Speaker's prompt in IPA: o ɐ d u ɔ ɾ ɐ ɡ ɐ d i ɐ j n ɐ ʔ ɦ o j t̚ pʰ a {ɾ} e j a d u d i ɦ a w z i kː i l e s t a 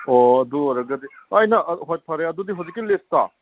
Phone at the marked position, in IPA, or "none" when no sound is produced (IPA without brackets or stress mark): ɾ